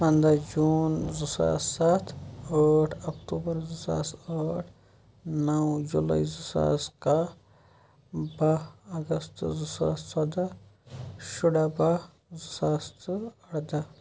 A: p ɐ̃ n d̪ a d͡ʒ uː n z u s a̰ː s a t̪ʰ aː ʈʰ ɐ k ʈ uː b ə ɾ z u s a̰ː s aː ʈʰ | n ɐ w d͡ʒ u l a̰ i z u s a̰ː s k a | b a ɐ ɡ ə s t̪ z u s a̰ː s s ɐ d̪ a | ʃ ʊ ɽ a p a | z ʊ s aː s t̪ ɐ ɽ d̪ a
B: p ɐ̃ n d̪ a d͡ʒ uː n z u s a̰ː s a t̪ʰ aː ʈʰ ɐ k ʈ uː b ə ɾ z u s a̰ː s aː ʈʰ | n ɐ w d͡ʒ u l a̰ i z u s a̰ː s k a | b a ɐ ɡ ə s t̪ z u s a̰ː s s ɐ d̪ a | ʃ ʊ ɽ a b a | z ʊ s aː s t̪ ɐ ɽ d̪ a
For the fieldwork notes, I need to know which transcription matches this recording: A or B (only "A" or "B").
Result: B